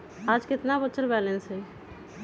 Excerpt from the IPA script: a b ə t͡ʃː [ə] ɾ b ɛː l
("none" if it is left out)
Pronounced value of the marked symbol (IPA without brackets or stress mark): ə